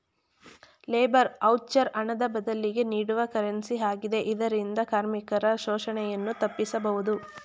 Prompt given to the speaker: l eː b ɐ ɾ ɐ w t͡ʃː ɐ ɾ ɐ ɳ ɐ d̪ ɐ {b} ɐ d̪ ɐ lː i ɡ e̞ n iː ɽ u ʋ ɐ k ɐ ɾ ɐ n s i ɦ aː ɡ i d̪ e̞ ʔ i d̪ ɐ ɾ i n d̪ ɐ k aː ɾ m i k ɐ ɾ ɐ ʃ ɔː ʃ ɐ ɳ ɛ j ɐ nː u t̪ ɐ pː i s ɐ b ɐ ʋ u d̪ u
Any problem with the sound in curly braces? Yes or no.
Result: no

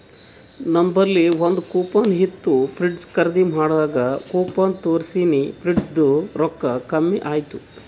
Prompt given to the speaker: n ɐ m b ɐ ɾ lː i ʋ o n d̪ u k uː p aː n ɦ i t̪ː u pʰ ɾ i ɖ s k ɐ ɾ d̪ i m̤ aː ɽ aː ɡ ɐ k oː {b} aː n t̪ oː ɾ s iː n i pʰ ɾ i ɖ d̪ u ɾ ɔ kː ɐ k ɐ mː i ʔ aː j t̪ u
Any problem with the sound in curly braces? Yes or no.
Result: yes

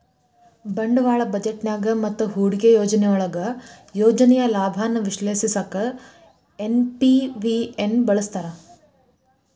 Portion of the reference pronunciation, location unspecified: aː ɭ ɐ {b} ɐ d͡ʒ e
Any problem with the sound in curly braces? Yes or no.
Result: no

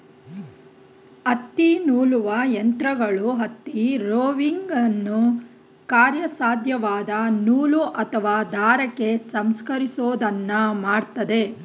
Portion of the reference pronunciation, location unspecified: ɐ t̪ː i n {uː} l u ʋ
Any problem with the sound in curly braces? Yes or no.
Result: no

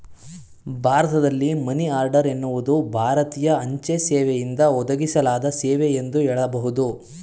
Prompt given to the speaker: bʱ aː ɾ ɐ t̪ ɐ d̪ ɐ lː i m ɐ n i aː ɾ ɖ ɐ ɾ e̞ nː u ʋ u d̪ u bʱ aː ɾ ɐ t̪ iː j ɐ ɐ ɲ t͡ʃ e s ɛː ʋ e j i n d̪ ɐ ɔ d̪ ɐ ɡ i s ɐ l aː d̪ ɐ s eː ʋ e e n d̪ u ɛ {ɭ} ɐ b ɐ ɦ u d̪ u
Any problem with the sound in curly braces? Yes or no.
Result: no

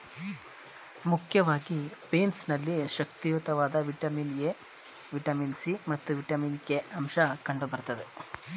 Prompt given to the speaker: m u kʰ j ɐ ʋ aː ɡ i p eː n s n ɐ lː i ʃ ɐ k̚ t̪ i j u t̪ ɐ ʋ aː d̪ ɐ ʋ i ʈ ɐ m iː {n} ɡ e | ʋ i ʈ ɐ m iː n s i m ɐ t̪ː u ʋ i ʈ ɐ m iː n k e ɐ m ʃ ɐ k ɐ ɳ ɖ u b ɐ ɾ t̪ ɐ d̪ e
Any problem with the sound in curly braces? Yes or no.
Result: no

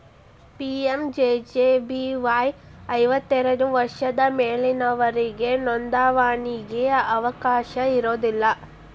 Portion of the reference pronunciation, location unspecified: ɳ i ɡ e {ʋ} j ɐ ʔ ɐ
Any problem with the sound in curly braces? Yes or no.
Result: yes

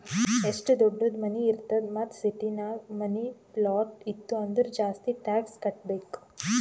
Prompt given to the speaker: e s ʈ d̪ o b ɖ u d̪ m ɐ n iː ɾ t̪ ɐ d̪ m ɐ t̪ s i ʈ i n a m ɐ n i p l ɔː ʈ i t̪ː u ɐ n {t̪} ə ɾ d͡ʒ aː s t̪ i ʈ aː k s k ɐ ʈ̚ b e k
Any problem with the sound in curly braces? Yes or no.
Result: yes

